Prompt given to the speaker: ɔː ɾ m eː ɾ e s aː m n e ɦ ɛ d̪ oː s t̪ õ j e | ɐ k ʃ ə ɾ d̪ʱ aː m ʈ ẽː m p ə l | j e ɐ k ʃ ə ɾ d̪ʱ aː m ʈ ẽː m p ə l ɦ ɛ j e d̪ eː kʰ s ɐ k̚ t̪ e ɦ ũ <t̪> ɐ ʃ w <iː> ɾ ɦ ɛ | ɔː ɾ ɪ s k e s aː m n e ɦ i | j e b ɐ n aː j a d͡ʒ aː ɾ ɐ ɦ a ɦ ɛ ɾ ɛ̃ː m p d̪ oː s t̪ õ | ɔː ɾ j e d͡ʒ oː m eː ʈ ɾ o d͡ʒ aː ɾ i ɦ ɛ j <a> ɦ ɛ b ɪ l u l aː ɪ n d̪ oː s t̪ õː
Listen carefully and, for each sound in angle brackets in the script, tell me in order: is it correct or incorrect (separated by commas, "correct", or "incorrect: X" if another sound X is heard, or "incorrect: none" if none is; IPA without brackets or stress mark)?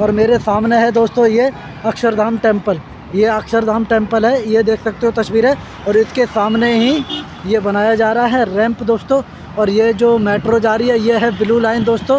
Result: correct, correct, incorrect: e